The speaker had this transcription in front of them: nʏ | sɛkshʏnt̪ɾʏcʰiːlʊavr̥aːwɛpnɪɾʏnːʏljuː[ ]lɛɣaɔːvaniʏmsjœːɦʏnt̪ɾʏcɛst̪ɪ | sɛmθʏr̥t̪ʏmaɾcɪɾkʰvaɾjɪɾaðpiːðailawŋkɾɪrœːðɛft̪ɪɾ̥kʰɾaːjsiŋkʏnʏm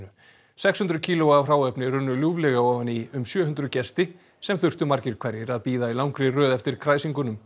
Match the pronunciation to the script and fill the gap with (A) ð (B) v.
B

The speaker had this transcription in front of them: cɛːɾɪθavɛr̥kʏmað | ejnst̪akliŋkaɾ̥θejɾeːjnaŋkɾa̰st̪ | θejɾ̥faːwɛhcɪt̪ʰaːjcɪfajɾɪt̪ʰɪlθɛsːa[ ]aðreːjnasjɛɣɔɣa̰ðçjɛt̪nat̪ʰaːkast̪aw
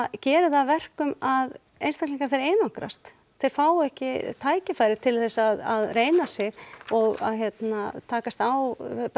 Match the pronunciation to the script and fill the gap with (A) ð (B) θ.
A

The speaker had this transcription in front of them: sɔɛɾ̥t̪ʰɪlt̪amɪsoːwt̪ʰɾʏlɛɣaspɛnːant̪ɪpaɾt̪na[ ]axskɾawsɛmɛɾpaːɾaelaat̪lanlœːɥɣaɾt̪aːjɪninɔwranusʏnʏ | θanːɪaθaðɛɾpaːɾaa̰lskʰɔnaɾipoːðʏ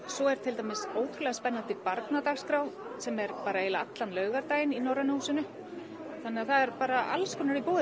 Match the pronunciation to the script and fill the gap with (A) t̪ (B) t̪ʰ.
A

